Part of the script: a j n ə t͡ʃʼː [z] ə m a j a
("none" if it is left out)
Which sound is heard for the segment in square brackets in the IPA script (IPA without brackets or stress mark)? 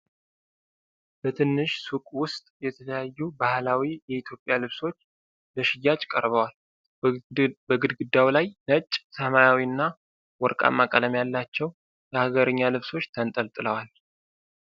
s